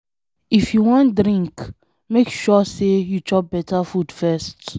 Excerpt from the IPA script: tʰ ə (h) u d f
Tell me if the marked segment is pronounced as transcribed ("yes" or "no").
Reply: no